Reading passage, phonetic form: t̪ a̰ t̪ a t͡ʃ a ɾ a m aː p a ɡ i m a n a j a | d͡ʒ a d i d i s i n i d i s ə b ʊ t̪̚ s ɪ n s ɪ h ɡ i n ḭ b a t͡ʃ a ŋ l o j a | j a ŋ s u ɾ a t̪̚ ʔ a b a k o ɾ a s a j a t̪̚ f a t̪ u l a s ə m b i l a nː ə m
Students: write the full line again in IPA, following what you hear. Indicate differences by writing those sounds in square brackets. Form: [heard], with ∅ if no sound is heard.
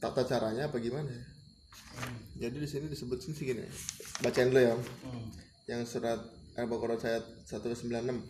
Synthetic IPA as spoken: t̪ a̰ t̪ a t͡ʃ a ɾ a [ɲ] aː p a ɡ i m a n a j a | d͡ʒ a d i d i s i n i d i s ə b ʊ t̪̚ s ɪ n s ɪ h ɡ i n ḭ b a t͡ʃ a [n] l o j a | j a ŋ s u ɾ a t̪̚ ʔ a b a k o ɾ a s a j a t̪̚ [s] a t̪ u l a s ə m b i l a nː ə m